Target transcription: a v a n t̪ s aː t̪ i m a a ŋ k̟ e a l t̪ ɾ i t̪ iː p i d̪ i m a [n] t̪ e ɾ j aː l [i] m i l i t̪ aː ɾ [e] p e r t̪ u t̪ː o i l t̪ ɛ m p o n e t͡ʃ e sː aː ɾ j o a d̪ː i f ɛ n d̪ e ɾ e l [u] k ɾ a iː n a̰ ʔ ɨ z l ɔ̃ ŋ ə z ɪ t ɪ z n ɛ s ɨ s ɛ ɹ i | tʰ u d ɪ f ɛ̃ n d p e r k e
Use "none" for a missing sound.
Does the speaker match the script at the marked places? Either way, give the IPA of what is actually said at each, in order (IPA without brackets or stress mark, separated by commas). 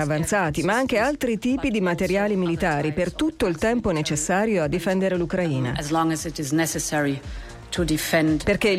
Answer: none, i, i, u